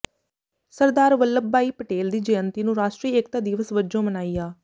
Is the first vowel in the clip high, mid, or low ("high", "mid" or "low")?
mid